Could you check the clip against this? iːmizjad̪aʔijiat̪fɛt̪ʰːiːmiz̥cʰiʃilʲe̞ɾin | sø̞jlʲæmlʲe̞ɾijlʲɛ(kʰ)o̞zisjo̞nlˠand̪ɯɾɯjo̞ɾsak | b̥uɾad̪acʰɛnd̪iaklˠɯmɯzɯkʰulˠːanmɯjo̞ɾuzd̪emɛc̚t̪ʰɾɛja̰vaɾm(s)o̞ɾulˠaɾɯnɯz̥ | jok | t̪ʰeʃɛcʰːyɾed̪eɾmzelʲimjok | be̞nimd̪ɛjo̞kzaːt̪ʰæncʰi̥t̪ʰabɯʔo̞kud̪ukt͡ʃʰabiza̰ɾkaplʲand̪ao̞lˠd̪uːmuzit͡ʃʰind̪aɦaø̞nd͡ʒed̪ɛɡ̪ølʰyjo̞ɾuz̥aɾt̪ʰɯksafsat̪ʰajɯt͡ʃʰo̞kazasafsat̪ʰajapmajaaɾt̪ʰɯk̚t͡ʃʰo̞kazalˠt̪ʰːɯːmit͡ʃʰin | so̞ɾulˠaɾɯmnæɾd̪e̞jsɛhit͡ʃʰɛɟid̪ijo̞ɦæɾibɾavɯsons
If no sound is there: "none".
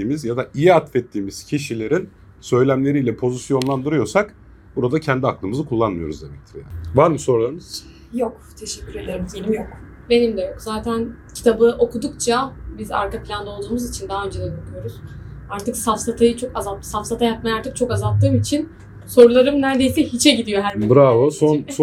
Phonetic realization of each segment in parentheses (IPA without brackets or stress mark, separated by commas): pʰ, s